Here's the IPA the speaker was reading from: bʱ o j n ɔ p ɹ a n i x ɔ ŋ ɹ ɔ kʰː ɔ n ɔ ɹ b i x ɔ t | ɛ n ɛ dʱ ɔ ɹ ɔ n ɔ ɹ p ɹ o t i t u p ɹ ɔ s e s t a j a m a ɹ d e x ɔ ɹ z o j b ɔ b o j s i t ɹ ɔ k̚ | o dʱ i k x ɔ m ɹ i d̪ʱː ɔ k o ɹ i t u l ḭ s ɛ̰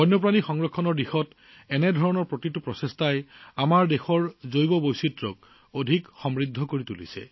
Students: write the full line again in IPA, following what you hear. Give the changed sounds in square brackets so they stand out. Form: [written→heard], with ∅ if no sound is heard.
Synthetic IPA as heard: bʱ [o→ɔ] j n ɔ p ɹ a n i x ɔ ŋ ɹ ɔ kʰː ɔ n ɔ ɹ [b→d] i x ɔ t | ɛ n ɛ dʱ ɔ ɹ ɔ n ɔ ɹ p ɹ o t i t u p ɹ ɔ s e s t a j a m a ɹ d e x ɔ ɹ z o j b ɔ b o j s i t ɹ ɔ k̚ | o dʱ i k x ɔ m ɹ i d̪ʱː ɔ k o ɹ i t u l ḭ s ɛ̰

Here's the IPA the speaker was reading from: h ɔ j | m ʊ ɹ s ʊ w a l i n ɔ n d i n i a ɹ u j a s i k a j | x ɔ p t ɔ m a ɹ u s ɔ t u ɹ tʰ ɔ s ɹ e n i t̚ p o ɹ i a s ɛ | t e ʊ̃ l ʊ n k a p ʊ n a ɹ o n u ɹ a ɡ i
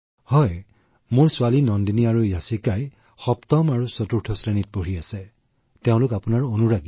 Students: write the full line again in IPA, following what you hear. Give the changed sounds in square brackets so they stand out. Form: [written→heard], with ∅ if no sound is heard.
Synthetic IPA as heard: h ɔ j | m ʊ ɹ s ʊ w a l i n ɔ n d i n i a ɹ u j a s i k a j | x ɔ p t ɔ m a ɹ u s ɔ t u ɹ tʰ ɔ s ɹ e n i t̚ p o ɹ i a s ɛ | t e ʊ̃ l ʊ [n→∅] k a p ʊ n a ɹ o n u ɹ a ɡ i

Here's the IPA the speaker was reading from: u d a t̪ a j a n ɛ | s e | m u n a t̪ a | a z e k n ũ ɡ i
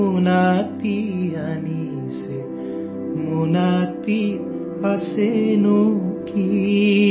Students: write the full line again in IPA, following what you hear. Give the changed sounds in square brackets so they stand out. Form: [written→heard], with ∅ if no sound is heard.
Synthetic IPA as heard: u [d→n] a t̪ [a→i] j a n [ɛ→i] | s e | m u n a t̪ [a→i] | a [z→s] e [k→∅] n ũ [ɡ→k] i

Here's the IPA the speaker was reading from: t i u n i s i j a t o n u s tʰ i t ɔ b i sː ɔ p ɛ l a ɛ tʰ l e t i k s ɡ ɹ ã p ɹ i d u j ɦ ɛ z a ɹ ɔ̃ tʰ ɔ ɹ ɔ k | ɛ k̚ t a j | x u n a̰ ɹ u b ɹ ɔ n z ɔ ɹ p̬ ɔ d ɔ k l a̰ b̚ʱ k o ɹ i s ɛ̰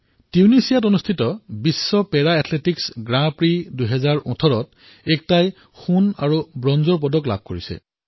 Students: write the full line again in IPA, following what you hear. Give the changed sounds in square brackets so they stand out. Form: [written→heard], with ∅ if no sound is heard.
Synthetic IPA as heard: t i u n i s i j a t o n u s tʰ i t ɔ b i sː ɔ p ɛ [l→ɹ] a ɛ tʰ l e t i k s ɡ ɹ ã p ɹ i d u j ɦ ɛ z a ɹ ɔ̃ tʰ ɔ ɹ ɔ [k→t] | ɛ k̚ t a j | x u n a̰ ɹ u b ɹ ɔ n z ɔ ɹ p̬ ɔ d ɔ k l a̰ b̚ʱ k o ɹ i s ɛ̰

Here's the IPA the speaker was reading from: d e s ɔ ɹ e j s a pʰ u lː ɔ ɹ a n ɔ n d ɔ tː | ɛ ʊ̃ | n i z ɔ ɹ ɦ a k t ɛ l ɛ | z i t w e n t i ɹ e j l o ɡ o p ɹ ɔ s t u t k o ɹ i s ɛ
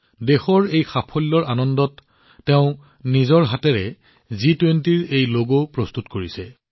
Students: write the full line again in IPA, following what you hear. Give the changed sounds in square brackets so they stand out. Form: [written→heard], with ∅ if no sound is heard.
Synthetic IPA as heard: d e [s→x] ɔ ɹ e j [s→x] a pʰ [u→ɔ] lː ɔ ɹ a n ɔ n d ɔ tː | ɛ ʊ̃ | n i z ɔ ɹ ɦ a [k→∅] t ɛ [l→ɹ] ɛ | z i t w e n t i ɹ e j l o ɡ o p ɹ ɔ s t u t k o ɹ i s ɛ

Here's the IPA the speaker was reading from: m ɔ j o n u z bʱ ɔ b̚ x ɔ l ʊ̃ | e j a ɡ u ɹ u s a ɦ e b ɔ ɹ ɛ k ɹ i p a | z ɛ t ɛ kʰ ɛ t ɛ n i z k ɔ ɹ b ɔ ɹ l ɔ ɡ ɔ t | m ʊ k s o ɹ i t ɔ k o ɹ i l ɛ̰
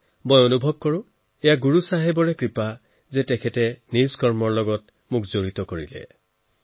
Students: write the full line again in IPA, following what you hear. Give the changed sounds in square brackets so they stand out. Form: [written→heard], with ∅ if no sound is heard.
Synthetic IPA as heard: m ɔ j o n u [z→∅] bʱ ɔ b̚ [x→k] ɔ [l→ɹ] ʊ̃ | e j a ɡ u ɹ u s a ɦ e b ɔ ɹ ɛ k ɹ i p a | z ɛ t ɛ kʰ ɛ t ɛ n i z k ɔ ɹ [b→m] ɔ ɹ l ɔ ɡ ɔ t | m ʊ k [s→z] o ɹ i t ɔ k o ɹ i l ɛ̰

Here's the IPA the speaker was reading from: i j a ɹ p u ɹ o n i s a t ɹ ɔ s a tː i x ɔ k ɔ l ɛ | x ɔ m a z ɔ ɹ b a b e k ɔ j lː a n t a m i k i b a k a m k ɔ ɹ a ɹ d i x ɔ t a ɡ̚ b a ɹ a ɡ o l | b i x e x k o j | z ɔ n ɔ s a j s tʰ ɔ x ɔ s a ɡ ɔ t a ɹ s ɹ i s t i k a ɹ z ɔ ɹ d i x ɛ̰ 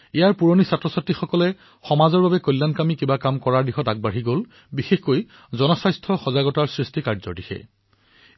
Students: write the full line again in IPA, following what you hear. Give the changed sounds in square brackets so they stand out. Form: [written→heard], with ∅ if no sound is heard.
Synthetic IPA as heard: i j a ɹ p u ɹ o n i s a t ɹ ɔ s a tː i x ɔ k ɔ l ɛ | x ɔ m a z ɔ ɹ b a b [e→ɛ] k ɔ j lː a n [t→k] a m i k i b a k a m k ɔ ɹ a ɹ d i x ɔ t a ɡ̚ b a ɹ [a→i] ɡ o l | b i x e x k o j | z ɔ n ɔ s a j s tʰ ɔ x ɔ [s→z] a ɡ ɔ t a ɹ s ɹ i s t i k a ɹ z ɔ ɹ d i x ɛ̰

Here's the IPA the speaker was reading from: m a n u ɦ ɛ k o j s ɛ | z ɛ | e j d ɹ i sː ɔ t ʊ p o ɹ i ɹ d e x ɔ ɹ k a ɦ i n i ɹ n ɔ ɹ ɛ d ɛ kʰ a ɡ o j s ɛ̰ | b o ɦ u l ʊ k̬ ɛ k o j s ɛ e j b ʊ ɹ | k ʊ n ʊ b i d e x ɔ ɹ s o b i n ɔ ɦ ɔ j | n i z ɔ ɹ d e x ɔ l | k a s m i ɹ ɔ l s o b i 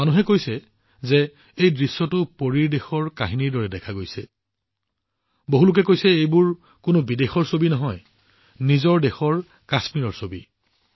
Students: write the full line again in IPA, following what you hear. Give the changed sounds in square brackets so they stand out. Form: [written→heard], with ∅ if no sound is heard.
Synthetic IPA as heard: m a n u ɦ ɛ k o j s ɛ | z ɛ | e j d ɹ i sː ɔ t ʊ p o ɹ i ɹ d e x ɔ ɹ k a ɦ i n i ɹ [n→d] ɔ ɹ ɛ d ɛ kʰ a ɡ o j s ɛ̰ | b o ɦ u l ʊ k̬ ɛ k o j s ɛ e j b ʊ ɹ | k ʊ n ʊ b i d e x ɔ ɹ s o b i n ɔ ɦ ɔ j | n i z ɔ ɹ d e x ɔ [l→ɹ] | k a s m i ɹ ɔ [l→ɹ] s o b i

